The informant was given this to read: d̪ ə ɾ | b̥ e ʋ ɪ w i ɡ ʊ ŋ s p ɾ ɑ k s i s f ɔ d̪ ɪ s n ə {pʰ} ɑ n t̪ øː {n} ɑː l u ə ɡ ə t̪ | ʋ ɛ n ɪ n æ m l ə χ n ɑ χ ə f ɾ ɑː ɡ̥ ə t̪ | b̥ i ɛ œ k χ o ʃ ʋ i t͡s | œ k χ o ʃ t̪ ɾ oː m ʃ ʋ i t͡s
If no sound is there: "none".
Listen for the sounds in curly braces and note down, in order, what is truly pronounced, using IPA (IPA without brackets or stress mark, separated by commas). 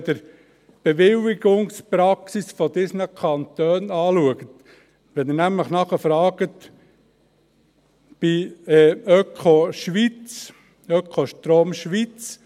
kʰ, n